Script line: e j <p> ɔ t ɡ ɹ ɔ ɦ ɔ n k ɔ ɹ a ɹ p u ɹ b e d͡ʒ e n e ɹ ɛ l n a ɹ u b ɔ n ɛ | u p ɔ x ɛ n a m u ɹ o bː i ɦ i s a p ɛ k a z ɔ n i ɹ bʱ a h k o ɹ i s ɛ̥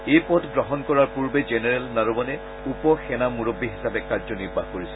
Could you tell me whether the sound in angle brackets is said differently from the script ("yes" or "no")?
no